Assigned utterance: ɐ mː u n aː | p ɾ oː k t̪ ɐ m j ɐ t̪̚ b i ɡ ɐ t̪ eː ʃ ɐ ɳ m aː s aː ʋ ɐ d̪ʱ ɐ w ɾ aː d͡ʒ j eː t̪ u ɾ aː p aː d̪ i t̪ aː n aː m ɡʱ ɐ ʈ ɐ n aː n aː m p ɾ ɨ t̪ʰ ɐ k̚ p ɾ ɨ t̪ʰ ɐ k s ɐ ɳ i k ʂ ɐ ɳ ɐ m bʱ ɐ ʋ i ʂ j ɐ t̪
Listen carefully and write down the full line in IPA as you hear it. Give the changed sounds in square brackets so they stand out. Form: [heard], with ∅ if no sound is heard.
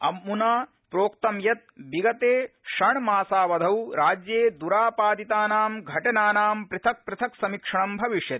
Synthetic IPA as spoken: ɐ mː u n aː | p ɾ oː k t̪ ɐ m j ɐ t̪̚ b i ɡ ɐ t̪ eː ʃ ɐ ɳ m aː s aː ʋ ɐ d̪ʱ ɐ w ɾ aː d͡ʒ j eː [d̪] u ɾ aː p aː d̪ i t̪ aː n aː m ɡʱ ɐ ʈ ɐ n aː n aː m p ɾ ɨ t̪ʰ ɐ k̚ p ɾ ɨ t̪ʰ ɐ k s ɐ [m] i k ʂ ɐ ɳ ɐ m bʱ ɐ ʋ i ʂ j ɐ t̪